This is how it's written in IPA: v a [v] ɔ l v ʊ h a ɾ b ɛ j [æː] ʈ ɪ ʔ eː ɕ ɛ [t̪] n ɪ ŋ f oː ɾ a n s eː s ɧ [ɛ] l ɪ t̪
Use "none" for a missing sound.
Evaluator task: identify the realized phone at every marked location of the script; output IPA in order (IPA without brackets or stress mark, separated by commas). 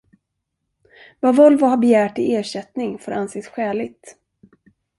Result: v, æː, t̪, ɛː